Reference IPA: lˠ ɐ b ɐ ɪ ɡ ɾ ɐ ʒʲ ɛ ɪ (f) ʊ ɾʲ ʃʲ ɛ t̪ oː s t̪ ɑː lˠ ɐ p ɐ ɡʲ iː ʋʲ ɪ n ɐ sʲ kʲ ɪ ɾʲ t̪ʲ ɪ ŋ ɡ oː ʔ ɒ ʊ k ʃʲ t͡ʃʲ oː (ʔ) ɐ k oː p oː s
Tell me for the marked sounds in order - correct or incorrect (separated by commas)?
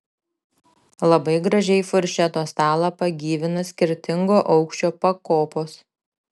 correct, incorrect